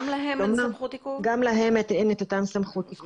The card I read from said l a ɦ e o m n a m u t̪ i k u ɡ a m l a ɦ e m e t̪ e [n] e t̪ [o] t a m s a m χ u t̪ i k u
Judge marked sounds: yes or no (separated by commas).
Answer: yes, yes